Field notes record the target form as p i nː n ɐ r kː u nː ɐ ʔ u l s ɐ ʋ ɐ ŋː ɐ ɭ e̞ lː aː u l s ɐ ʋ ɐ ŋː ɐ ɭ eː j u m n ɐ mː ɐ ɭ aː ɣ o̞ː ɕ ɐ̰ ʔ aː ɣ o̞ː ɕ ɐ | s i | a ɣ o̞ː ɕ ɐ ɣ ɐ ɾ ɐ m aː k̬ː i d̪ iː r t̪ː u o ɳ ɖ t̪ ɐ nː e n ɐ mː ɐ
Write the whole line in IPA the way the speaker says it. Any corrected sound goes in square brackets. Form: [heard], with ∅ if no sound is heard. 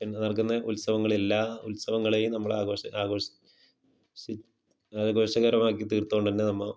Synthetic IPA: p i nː n ɐ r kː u nː ɐ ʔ u l s ɐ ʋ ɐ ŋː ɐ ɭ e̞ lː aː u l s ɐ ʋ ɐ ŋː ɐ ɭ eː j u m n ɐ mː ɐ ɭ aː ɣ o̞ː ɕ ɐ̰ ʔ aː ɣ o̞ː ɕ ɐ | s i | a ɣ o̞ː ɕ ɐ ɣ ɐ ɾ ɐ m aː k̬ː i [t̪] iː r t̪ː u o ɳ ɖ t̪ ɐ nː e n ɐ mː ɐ